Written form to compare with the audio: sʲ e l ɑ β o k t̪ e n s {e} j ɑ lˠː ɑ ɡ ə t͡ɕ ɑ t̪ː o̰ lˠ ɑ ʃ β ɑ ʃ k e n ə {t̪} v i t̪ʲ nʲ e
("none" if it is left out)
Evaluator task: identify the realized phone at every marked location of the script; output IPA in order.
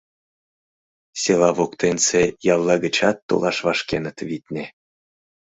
e, t̪

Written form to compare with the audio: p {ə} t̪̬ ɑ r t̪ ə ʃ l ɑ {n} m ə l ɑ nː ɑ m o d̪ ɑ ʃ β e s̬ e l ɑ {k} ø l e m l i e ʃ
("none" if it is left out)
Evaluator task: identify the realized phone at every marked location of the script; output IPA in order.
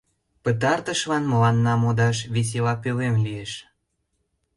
ə, n, p

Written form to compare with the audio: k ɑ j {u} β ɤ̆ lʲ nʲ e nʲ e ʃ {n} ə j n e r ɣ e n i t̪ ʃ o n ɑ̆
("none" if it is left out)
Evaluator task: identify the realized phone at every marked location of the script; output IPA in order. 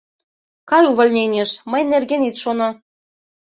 u, m

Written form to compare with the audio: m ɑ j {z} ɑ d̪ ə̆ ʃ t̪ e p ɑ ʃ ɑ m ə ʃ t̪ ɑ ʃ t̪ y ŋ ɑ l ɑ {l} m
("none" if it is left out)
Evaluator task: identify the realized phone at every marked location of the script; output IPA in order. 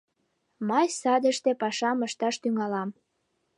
s, none

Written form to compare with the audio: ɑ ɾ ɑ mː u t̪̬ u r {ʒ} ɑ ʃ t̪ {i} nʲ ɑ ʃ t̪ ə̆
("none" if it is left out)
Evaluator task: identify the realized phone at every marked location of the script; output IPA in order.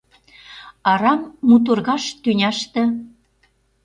ɣ, y

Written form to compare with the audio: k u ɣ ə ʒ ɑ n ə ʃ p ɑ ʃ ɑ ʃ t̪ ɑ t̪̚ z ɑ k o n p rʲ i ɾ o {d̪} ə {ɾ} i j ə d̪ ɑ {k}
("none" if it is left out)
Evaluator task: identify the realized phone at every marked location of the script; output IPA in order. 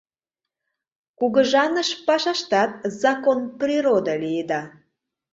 d̪, l, none

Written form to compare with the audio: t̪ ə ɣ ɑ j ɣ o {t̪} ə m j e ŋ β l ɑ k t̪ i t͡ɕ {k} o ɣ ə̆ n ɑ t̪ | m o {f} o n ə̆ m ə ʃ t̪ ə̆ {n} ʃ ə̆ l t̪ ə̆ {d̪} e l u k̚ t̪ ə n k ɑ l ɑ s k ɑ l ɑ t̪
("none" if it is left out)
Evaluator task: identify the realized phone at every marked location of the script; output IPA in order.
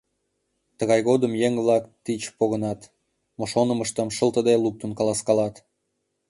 d̪, p, ʃ, m, d̪

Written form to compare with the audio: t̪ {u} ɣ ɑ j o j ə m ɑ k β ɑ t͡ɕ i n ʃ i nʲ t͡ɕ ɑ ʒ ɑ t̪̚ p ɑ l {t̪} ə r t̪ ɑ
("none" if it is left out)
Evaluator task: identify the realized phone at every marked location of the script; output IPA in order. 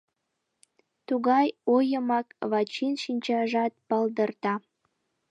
u, d̪

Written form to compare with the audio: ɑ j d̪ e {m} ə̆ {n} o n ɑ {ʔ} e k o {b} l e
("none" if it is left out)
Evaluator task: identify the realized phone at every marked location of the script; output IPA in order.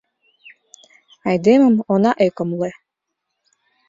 m, m, ʔ, m

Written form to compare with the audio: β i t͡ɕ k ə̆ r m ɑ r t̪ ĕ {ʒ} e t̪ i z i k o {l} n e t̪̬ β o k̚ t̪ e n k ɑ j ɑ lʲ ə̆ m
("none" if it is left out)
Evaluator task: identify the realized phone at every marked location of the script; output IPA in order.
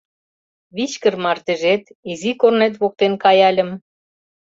ʒ, r

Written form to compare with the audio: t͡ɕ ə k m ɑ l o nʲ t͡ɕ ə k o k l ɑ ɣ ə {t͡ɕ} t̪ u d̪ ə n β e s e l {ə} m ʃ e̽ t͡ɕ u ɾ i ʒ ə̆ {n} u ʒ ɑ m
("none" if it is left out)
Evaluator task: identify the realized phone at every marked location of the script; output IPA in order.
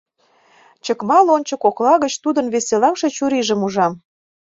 t͡ɕ, ɑ, m

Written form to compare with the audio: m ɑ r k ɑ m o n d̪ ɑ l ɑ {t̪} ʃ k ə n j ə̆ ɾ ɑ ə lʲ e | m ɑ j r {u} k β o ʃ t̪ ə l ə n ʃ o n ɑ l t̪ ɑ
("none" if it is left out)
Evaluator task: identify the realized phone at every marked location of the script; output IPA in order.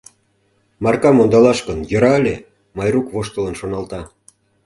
none, u

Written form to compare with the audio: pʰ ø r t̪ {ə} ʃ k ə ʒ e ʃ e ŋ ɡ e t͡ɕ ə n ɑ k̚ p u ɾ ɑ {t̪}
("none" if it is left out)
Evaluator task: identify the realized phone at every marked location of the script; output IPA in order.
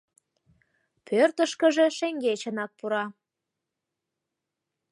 ə, none

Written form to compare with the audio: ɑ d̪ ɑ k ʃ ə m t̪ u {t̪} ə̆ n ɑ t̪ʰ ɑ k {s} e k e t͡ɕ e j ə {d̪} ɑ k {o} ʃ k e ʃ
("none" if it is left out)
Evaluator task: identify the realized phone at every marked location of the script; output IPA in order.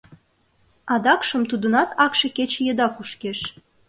d̪, ʃ, d̪, u

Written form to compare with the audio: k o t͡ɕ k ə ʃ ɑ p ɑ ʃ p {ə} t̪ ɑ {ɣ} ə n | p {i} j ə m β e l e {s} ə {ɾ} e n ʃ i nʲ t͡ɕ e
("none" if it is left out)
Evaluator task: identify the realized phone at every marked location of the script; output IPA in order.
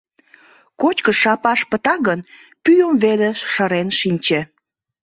ə, ɣ, y, ʃ, ɾ

